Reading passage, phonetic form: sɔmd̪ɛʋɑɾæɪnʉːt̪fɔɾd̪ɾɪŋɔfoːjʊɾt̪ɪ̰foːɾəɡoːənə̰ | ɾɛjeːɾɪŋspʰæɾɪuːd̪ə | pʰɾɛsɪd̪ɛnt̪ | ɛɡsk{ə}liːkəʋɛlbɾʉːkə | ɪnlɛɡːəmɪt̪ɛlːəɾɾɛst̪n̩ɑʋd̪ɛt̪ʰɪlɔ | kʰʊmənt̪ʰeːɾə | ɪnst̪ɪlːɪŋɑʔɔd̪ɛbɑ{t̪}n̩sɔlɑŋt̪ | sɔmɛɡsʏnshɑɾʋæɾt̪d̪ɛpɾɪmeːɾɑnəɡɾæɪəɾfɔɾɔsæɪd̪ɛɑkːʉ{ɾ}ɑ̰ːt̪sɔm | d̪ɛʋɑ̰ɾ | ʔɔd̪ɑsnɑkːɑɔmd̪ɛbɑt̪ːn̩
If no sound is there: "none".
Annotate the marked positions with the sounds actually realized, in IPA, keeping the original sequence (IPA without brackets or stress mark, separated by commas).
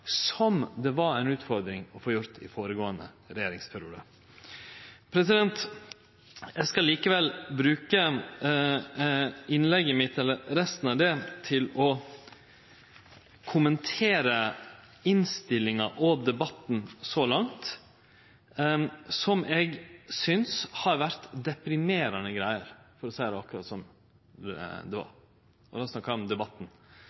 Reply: ɑ, t̪, ɾ